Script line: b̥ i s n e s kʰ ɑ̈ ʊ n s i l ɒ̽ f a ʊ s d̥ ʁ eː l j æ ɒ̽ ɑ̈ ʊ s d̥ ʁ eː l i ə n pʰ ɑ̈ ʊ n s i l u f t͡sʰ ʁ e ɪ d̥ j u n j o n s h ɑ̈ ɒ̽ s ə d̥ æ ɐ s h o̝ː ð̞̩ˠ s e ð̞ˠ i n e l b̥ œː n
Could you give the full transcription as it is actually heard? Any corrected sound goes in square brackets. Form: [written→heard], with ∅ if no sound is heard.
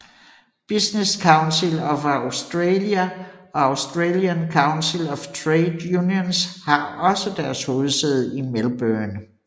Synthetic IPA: b̥ i s n e s kʰ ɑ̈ ʊ n s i l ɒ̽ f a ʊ s d̥ ʁ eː l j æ ɒ̽ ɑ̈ ʊ s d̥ ʁ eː l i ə n [pʰ→kʰ] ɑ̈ ʊ n s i l [u→ɒ] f t͡sʰ ʁ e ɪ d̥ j u n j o n s h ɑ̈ ɒ̽ s ə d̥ æ ɐ s h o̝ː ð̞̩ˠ s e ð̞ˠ i [n→m] e l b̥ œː n